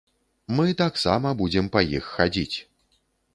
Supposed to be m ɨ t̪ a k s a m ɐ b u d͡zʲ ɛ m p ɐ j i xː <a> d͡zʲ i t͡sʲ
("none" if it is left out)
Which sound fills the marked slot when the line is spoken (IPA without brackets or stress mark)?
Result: a